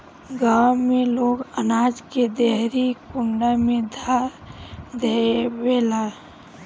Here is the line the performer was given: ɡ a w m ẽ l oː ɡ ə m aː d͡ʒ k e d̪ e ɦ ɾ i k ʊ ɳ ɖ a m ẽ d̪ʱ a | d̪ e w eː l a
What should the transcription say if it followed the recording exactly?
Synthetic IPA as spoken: ɡ a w m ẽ l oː ɡ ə n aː d͡ʒ k e d̪ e ɦ ɾ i k ʊ ɳ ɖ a m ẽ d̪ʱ a | d̪ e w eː l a